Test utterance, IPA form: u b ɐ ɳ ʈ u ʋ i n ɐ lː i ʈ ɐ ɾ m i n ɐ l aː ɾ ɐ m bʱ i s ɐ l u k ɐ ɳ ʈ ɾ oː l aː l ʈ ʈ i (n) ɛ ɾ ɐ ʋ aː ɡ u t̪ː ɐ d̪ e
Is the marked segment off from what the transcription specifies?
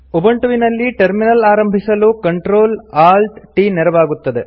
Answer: no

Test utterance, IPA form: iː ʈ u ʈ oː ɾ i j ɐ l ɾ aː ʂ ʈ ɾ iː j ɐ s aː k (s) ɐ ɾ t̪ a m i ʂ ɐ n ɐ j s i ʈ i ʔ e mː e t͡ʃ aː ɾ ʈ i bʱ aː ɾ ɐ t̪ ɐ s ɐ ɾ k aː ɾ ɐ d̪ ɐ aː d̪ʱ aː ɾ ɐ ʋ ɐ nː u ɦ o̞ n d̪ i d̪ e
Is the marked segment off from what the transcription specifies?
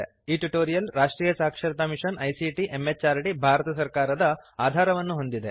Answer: yes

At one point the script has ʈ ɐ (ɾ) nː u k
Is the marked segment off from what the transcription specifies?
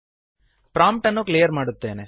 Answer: yes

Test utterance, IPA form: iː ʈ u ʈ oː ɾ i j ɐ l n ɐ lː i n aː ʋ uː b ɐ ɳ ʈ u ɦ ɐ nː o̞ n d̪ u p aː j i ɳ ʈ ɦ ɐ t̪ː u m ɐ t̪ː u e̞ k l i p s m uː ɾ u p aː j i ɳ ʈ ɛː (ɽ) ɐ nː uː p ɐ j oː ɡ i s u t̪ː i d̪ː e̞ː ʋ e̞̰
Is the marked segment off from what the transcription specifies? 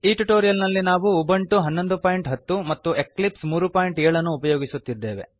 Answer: yes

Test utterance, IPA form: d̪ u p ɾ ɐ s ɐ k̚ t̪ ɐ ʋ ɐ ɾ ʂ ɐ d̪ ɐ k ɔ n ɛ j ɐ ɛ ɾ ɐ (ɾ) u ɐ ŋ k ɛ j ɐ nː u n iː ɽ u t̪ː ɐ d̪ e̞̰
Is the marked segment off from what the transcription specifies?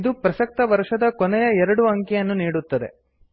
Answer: yes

